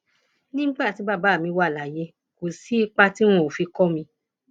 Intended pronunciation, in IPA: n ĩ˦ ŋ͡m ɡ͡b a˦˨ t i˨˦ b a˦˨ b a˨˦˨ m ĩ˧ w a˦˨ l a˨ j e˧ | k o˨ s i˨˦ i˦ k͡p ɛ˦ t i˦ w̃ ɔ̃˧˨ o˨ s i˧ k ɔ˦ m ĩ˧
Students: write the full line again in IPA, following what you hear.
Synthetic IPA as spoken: n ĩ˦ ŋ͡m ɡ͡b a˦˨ t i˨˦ b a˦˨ b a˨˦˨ m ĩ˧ w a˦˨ l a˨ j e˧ | k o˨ s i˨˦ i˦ k͡p a˦ t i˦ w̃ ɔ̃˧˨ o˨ f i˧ k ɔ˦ m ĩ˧